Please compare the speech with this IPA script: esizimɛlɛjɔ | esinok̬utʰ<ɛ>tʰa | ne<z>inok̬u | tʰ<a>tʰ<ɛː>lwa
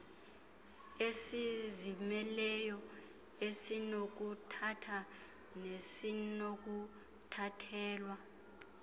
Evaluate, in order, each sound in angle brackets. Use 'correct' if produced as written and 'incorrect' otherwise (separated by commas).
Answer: incorrect, incorrect, correct, correct